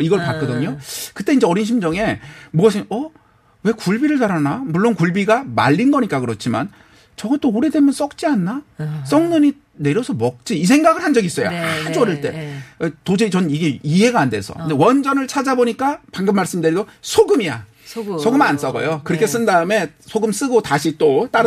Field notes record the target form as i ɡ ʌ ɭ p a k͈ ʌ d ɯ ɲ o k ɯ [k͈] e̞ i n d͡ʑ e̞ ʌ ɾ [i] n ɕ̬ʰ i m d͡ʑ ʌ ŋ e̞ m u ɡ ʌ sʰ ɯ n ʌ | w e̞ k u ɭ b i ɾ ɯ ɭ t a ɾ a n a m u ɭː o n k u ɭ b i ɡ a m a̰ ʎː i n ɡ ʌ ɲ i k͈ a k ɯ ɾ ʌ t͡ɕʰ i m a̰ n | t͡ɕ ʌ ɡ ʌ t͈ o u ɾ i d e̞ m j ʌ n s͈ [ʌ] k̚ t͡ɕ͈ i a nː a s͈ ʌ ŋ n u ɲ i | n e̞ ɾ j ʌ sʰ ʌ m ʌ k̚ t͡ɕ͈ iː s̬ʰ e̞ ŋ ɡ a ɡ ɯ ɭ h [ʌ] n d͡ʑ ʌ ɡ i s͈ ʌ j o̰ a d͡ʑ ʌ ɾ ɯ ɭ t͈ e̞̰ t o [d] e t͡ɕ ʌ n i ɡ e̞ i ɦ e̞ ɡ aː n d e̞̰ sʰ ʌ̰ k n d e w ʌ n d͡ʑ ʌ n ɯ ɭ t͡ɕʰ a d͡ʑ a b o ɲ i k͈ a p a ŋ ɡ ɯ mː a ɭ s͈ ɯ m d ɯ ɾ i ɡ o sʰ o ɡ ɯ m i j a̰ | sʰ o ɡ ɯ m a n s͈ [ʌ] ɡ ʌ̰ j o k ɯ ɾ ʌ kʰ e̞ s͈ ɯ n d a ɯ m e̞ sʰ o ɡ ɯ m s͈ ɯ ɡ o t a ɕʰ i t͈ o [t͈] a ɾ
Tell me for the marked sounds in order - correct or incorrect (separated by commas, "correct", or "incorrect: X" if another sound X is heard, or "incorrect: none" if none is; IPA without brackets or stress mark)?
incorrect: t͈, correct, correct, incorrect: a, incorrect: d͡ʑ, correct, correct